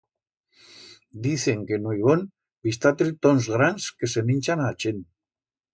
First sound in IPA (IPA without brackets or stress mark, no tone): d̪